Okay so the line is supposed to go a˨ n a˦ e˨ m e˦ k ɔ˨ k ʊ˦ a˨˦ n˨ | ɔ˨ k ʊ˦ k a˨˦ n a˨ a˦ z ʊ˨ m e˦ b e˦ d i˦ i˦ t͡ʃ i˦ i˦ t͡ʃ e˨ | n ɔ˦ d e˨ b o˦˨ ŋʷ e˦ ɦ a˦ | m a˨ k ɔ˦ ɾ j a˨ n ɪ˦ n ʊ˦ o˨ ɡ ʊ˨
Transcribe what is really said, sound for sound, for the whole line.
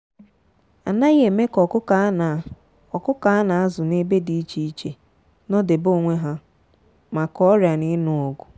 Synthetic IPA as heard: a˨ n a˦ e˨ m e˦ k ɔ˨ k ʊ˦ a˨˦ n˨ | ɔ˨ k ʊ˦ k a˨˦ n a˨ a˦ z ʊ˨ n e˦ b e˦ d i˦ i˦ t͡ʃ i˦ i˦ t͡ʃ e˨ | n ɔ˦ d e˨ b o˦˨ ŋʷ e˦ ɦ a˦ | m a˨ k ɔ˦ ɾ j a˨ n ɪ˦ n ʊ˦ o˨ ɡ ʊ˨